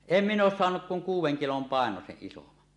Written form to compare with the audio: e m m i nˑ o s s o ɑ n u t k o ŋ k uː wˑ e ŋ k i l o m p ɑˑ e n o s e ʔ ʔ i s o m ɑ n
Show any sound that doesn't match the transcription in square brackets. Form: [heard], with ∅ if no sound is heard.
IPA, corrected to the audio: e m m i nˑ [oː] s s o ɑ n u [k] k [u] ŋ k uː wˑ e ŋ k i l o m p ɑˑ e n o s e ʔ ʔ i s o m ɑ n

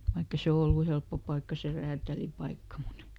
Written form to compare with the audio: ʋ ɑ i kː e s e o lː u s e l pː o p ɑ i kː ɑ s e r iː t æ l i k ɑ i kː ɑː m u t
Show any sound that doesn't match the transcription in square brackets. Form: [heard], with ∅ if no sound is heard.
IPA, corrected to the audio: ʋ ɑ i kː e s e o lː u [h] e l pː o p ɑ i kː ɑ s e r [æː] t æ l i [p] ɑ i kː [ɑ] m u t

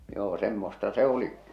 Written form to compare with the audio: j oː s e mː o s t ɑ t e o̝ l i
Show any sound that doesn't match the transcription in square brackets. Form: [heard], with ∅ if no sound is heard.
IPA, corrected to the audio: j oː s e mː o s t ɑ [s] e o̝ l i

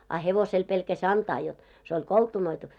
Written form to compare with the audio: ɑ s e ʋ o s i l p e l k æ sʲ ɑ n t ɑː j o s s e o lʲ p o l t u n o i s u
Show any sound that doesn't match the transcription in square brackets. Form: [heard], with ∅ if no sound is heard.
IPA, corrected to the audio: ɑ [h] e ʋ o s [e] l p e l k æ sʲ ɑ n t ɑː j o [t] s e o lʲ [k] o l t u n o i [t] u

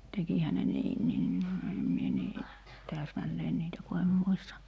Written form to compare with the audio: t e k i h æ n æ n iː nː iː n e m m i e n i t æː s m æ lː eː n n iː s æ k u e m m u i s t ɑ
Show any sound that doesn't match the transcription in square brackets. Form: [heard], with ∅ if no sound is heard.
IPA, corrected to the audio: t e k i h æ n [e] n iː nː iː n e m m i e n [iː] t æː s m æ lː eː n n iː [t] æ k u e m m u i s t ɑ

